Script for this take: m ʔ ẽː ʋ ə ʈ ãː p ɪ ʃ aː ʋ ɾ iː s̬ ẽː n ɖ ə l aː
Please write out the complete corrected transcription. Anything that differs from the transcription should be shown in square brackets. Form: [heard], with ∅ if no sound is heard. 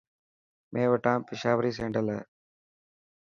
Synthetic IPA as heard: m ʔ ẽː ʋ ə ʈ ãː p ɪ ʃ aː ʋ ɾ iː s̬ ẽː [ɳ] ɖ ə l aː